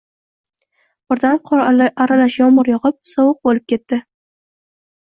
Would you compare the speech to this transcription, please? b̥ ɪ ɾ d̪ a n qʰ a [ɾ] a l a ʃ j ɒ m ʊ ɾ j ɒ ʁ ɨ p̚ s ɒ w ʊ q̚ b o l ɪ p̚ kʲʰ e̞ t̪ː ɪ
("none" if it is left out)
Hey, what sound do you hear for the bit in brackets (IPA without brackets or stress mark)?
ɾ